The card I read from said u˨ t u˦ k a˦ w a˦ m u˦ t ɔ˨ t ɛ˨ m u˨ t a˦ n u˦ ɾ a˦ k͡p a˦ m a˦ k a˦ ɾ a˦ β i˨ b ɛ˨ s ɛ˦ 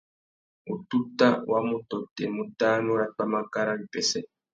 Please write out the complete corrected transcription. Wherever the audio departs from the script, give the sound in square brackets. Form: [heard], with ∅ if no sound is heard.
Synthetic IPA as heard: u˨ t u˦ [t] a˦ w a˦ m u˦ t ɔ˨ t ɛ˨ m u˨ t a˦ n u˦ ɾ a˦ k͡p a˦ m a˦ k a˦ ɾ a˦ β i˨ [p] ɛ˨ s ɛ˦